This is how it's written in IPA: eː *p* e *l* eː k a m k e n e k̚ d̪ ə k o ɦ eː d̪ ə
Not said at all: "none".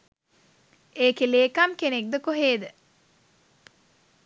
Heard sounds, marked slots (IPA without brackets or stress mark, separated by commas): k, l